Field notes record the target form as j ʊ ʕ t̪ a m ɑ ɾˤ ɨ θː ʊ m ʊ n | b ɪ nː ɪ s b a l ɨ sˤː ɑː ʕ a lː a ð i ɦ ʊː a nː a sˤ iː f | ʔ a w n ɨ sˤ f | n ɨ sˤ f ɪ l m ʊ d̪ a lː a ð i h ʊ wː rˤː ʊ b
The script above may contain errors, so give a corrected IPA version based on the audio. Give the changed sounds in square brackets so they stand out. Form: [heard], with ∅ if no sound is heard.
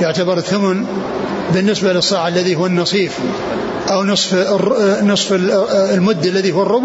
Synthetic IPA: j ʊ ʕ t̪ a [b] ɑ ɾˤ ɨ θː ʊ m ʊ n | b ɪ nː ɪ s b a l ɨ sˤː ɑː ʕ a lː a ð i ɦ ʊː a nː [ɑ] sˤ iː f | ʔ a w n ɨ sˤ f | n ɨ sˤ f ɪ l m ʊ [d̪ː] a lː a ð i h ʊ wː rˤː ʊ b